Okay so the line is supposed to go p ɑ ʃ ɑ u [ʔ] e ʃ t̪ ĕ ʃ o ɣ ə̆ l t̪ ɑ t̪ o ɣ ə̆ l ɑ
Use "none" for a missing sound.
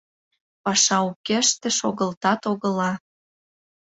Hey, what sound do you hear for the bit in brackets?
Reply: k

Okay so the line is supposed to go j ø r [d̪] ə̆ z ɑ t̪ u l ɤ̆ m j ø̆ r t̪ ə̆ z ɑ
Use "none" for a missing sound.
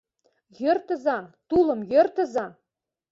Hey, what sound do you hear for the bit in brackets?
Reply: t̪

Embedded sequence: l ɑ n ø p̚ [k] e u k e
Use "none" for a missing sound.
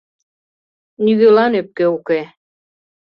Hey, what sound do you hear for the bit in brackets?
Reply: k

